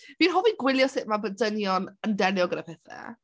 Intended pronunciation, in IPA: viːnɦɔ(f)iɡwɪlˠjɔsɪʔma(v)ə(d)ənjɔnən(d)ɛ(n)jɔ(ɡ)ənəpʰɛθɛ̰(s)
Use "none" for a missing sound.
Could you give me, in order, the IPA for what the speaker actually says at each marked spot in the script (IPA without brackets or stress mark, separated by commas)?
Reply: v, b, d, d, n, ɡ, none